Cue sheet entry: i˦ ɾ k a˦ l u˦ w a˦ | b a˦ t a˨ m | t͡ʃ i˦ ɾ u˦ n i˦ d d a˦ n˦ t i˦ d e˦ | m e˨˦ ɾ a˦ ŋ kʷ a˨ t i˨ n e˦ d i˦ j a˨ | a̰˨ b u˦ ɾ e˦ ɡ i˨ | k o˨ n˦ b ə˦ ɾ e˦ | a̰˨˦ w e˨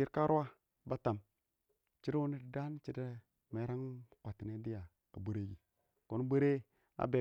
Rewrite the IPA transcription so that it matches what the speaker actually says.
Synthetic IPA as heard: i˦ ɾ k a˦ ɾ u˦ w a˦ | b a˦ t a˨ m | t͡ʃ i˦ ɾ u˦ n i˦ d d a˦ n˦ t͡ʃ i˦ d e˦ | m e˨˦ ɾ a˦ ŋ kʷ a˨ t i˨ n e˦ d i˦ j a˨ | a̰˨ b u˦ ɾ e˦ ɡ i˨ | k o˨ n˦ b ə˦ ɾ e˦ | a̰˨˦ b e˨